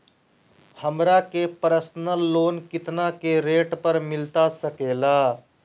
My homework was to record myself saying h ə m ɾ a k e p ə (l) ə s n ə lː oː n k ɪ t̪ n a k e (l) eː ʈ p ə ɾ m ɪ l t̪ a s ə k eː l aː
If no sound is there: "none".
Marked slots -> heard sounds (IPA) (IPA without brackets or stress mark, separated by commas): ɾ, ɾ